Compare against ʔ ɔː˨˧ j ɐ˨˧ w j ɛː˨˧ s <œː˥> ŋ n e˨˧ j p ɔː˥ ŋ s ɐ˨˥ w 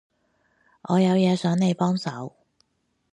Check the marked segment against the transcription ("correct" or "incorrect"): incorrect